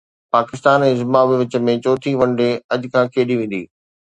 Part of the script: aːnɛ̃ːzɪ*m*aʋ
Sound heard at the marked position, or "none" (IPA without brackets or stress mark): m